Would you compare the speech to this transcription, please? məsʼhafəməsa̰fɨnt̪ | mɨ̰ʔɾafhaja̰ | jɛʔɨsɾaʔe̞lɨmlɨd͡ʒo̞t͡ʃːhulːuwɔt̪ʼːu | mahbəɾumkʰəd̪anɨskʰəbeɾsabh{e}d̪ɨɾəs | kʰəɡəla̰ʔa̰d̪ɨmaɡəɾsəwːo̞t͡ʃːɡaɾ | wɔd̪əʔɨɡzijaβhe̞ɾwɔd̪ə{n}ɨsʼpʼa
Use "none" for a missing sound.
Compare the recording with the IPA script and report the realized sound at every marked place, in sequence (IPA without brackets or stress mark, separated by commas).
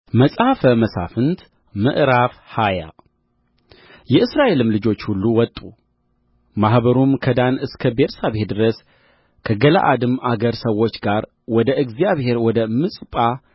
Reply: e, m